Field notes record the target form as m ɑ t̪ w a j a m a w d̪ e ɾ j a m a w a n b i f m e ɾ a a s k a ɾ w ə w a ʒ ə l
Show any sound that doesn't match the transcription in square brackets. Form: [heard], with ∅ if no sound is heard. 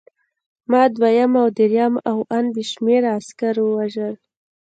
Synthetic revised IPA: m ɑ [d̪] w a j a m a w d̪ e ɾ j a m a w a n b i [ʃ] m e ɾ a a s k a ɾ w ə w a ʒ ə l